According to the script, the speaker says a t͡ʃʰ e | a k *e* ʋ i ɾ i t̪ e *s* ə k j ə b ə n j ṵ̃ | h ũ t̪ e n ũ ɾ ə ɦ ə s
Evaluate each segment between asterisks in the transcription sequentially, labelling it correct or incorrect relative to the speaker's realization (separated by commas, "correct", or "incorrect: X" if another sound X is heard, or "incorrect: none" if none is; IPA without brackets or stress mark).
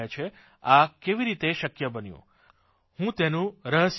correct, incorrect: ʃ